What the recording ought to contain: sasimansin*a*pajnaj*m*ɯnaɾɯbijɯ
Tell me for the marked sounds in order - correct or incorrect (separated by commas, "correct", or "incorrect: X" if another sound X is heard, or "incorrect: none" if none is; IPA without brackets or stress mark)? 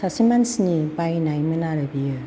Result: incorrect: i, correct